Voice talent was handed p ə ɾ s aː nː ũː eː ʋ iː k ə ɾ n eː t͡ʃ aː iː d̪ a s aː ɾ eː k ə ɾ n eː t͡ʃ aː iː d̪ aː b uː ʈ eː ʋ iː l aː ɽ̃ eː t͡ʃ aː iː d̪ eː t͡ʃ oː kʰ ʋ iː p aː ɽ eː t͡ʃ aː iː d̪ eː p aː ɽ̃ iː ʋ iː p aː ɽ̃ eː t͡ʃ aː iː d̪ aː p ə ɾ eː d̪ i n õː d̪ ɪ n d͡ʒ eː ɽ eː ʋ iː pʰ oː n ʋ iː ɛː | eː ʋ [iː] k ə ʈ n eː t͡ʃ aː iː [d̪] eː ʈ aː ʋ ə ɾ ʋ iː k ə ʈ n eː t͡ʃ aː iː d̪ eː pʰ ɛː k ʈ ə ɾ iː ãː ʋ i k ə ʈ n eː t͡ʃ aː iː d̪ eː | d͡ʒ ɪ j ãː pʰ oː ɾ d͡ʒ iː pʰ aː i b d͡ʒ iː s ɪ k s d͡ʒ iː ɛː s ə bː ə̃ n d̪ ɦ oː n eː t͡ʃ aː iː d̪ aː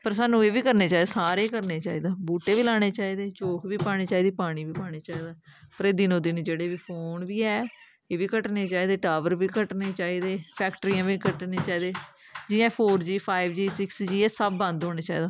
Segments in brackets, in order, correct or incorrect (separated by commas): correct, correct